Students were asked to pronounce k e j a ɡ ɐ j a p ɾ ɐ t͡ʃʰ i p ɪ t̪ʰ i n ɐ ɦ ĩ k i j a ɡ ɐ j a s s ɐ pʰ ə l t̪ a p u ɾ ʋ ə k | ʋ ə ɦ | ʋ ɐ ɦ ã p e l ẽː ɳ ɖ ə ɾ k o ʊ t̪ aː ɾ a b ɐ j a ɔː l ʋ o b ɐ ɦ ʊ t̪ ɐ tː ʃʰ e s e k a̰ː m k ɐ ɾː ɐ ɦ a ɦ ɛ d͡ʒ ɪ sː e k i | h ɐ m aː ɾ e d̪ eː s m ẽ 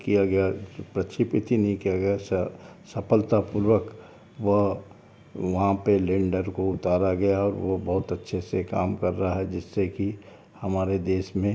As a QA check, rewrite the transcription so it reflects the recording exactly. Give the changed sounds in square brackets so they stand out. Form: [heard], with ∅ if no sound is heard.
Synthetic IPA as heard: k [i] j a ɡ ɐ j a p ɾ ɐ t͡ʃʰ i p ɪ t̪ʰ i n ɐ ɦ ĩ k i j a ɡ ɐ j a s s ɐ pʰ ə l t̪ a p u ɾ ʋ ə k | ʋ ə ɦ | ʋ ɐ ɦ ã p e l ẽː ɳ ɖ ə ɾ k o ʊ t̪ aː ɾ a [ɡ] ɐ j a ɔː [ɾ] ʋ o b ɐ ɦ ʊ t̪ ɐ tː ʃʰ e s e k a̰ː m k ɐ ɾː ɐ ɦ a ɦ ɛ d͡ʒ ɪ sː e k i | h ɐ m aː ɾ e d̪ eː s m ẽ